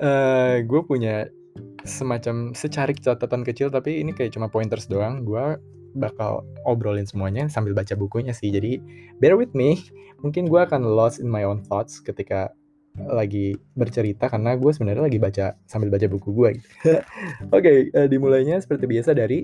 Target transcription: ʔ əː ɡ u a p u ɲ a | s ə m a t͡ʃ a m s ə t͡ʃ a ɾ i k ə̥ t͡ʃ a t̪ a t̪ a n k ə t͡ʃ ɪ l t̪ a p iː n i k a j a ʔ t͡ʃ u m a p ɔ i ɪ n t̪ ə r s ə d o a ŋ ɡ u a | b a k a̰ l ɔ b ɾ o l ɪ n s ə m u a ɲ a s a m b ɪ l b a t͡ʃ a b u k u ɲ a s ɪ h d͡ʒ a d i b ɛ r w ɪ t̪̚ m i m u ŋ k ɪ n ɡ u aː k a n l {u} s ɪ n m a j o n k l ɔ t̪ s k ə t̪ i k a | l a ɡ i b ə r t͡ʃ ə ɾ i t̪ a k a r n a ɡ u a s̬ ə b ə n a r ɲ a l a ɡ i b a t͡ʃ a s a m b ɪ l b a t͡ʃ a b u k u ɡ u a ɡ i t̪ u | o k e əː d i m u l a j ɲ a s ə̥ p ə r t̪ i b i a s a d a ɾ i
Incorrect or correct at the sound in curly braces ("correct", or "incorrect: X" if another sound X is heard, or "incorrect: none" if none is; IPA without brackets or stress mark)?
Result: incorrect: ɔ